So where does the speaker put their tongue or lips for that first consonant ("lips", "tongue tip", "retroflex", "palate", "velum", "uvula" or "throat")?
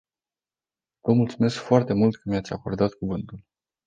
lips